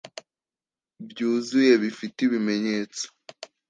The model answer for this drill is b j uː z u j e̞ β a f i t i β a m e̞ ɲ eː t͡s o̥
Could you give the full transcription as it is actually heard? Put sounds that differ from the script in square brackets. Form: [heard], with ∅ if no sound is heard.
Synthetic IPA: b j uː z u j e̞ β [i] f i t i β [i] m e̞ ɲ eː t͡s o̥